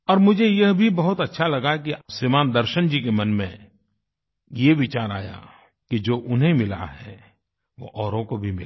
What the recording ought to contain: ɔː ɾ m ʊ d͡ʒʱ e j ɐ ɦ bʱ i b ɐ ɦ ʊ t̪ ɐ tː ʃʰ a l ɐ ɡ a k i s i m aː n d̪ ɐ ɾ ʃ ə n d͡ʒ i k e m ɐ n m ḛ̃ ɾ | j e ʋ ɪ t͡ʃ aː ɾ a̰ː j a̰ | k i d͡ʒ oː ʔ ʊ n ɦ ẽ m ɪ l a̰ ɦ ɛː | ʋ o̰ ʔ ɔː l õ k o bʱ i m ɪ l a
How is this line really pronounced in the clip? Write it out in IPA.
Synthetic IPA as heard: ɔː ɾ m ʊ d͡ʒʱ e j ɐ ɦ bʱ i b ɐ ɦ ʊ t̪ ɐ tː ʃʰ a l ɐ ɡ a k i s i m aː n d̪ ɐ ɾ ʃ ə n d͡ʒ i k e m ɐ n m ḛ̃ | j e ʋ ɪ t͡ʃ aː ɾ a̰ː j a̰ | k i d͡ʒ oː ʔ ʊ n ɦ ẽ m ɪ l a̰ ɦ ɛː | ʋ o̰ ʔ ɔː ɾ õ k o bʱ i m ɪ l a